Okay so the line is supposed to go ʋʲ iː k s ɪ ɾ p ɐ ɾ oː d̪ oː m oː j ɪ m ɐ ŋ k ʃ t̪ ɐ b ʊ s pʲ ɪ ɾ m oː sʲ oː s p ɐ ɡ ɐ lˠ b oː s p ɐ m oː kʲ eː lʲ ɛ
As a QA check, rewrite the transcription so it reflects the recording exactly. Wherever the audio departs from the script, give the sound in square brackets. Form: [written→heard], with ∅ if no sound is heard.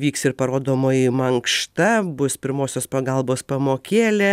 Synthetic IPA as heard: ʋʲ iː k s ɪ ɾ p ɐ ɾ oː d̪ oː m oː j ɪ m ɐ ŋ k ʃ t̪ ɐ b ʊ s pʲ ɪ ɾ m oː sʲ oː s p ɐ ɡ ɐ lˠ b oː s p ɐ m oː kʲ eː lʲ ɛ

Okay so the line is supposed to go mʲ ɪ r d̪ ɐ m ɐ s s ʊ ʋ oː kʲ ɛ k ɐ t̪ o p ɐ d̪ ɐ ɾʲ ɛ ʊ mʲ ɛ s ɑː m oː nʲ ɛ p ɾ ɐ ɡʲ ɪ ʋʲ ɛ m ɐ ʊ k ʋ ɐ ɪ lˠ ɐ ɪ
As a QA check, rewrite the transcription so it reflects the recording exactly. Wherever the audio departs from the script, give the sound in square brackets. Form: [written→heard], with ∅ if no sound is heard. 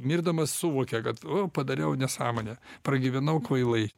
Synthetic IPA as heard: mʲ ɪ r d̪ ɐ m ɐ s s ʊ ʋ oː kʲ ɛ k ɐ t̪ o p ɐ d̪ ɐ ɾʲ ɛ ʊ [mʲ→nʲ] ɛ s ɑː m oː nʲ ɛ p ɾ ɐ ɡʲ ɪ ʋʲ ɛ [m→n] ɐ ʊ k ʋ ɐ ɪ lˠ ɐ ɪ

